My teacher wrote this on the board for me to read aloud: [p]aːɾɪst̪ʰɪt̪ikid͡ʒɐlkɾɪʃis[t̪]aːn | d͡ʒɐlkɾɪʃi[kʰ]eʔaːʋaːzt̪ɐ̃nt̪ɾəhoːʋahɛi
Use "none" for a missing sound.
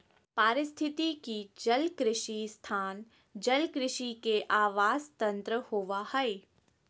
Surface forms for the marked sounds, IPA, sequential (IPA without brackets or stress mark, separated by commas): p, t̪ʰ, k